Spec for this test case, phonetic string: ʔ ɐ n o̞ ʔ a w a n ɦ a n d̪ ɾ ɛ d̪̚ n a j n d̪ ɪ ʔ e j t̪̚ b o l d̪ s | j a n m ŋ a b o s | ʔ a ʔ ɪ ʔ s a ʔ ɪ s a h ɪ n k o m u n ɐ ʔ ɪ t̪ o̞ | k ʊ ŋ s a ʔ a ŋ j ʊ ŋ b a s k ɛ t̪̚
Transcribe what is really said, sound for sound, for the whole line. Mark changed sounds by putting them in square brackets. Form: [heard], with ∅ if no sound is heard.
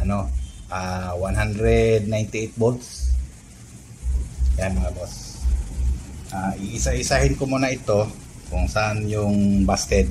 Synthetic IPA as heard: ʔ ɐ n o̞ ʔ a w a n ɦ a n d̪ ɾ ɛ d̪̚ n a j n [t̪] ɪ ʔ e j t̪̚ b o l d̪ s | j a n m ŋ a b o s | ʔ a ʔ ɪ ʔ s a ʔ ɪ s a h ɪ n k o m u n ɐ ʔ ɪ t̪ o̞ | k ʊ ŋ s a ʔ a [n] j ʊ ŋ b a s k ɛ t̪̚